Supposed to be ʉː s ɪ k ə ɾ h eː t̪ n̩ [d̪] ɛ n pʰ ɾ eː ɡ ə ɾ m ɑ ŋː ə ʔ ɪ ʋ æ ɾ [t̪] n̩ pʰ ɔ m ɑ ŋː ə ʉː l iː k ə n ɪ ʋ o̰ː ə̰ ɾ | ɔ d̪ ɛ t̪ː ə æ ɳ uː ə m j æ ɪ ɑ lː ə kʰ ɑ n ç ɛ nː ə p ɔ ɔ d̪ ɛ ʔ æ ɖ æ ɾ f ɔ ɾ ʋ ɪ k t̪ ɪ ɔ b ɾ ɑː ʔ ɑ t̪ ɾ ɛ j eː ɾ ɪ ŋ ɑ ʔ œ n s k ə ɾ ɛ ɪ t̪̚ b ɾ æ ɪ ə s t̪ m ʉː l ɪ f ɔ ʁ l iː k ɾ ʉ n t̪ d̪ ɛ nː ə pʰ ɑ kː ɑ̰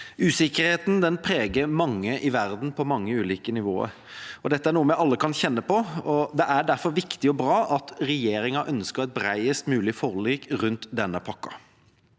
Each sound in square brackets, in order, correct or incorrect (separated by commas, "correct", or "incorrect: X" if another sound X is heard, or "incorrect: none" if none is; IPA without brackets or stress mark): correct, incorrect: d̪